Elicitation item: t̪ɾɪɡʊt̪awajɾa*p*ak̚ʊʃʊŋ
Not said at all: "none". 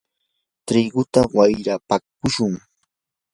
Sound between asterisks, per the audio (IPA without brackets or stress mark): p